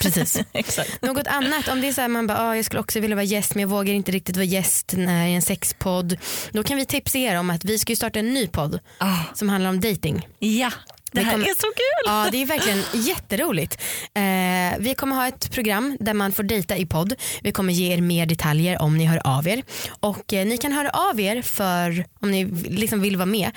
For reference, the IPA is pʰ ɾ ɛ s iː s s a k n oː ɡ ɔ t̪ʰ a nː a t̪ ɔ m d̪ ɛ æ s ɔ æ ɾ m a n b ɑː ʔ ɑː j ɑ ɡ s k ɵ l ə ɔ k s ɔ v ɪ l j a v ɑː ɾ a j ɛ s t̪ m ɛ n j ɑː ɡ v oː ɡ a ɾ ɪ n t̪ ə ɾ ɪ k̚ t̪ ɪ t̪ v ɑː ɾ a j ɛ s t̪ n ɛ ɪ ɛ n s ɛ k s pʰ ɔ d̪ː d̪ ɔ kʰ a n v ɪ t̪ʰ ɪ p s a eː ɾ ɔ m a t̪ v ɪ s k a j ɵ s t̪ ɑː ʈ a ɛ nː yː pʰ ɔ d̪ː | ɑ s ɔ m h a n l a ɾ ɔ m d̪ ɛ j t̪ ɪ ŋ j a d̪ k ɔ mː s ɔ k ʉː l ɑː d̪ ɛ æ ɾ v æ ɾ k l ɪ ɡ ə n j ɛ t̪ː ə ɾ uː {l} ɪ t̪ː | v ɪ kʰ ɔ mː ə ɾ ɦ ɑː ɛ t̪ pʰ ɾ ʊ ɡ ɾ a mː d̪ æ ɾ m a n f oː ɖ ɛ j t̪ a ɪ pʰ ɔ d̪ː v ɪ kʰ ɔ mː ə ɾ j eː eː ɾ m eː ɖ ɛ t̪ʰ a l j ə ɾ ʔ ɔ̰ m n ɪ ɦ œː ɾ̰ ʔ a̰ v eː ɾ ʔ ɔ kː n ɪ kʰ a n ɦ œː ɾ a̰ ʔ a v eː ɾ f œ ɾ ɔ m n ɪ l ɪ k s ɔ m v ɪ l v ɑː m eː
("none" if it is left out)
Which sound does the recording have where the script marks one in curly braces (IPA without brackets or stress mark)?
l